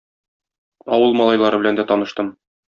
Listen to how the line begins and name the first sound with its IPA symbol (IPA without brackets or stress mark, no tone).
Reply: ɒ